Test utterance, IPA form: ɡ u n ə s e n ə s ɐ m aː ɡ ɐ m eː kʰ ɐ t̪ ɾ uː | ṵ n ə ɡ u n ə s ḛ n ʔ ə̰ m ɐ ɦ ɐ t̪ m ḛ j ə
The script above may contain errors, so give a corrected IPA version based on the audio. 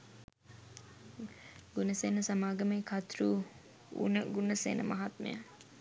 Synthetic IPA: ɡ u n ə s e n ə s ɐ m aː ɡ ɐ m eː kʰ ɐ t̪ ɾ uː | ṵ n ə ɡ u n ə s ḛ n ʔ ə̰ m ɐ ɦ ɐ t̪ m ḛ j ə